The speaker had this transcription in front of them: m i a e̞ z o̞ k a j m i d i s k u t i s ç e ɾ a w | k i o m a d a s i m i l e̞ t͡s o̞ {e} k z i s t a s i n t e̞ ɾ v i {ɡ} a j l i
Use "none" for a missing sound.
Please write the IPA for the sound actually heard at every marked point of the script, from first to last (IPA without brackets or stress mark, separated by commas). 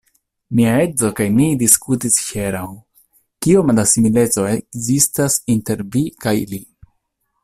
e, k